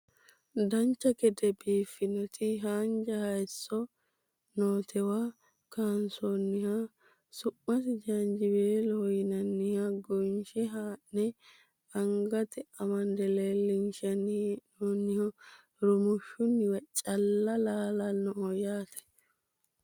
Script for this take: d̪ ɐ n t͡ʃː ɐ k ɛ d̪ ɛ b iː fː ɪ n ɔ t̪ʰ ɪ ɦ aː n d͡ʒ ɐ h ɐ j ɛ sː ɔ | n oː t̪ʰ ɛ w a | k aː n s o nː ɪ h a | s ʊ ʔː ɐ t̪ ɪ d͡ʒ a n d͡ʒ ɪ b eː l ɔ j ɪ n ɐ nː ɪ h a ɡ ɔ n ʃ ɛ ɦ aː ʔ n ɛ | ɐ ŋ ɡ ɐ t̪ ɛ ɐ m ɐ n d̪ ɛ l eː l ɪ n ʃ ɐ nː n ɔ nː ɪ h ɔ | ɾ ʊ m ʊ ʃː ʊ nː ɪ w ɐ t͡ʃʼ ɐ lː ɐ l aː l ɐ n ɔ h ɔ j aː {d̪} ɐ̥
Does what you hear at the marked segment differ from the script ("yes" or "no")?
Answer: yes